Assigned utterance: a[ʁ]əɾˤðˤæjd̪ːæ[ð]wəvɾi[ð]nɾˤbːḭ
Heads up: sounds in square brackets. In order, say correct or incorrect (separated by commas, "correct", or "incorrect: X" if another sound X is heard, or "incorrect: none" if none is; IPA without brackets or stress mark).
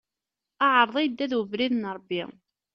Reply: incorrect: ʕ, correct, correct